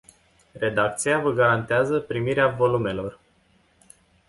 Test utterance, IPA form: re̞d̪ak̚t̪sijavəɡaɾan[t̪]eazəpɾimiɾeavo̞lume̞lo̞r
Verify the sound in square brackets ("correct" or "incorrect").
correct